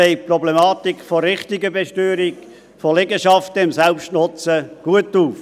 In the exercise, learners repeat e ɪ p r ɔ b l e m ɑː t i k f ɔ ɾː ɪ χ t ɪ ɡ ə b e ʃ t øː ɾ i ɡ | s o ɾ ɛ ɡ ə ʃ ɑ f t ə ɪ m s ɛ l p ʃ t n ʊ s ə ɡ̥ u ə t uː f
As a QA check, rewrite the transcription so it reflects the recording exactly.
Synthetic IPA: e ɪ p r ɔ b l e m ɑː t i k f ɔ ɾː ɪ χ t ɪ ɡ ə b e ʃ t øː ɾ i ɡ | f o l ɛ ɡ ə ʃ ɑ f t ə ɪ m s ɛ l p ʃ t n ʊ t͡s ə ɡ̥ u ə t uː f